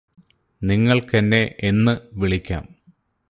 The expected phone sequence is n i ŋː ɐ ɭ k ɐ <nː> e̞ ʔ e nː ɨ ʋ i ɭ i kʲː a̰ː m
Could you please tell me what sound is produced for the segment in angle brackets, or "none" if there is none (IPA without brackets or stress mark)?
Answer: nː